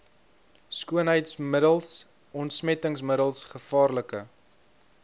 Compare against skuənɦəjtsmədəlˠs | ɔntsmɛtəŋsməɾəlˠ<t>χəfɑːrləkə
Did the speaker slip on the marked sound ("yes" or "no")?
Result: yes